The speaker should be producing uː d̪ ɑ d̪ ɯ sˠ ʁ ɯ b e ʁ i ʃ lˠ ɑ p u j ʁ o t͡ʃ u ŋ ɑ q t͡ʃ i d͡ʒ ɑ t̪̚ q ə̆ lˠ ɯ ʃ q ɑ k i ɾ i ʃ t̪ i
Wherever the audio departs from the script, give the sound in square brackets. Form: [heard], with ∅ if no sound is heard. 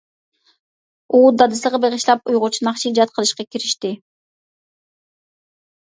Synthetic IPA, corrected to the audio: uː d̪ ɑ d̪ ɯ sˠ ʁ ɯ b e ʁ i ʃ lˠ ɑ p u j ʁ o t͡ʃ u [n] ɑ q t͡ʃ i d͡ʒ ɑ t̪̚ q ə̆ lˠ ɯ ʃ q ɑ k i ɾ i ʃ t̪ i